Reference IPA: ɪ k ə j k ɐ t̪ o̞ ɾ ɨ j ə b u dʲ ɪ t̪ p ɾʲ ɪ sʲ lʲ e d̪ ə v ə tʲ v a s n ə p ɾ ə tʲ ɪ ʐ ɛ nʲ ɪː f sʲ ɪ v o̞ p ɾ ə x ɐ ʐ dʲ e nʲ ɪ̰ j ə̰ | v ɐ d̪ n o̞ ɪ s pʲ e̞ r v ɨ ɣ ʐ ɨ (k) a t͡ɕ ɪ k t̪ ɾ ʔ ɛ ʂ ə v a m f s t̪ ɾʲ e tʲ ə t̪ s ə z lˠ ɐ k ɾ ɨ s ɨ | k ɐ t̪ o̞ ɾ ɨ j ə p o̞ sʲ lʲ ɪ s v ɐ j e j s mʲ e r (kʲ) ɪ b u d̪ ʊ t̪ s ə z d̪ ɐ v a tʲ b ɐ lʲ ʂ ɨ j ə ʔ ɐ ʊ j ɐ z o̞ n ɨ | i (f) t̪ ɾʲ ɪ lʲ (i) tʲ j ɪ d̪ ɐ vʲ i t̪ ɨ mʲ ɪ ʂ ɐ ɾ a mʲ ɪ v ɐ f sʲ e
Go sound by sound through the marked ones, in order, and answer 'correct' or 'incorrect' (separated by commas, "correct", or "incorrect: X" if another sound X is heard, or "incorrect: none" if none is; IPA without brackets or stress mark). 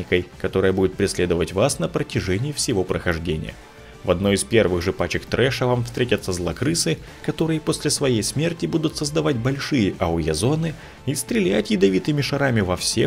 incorrect: p, incorrect: tʲ, incorrect: s, incorrect: æ